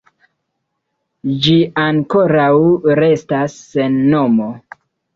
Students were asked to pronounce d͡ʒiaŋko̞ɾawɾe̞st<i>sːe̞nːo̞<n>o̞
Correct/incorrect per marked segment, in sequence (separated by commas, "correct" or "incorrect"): incorrect, incorrect